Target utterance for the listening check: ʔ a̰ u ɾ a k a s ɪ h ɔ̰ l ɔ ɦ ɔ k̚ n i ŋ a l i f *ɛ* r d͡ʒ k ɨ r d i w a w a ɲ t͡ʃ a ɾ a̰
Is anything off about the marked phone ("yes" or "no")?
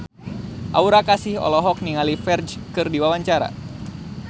no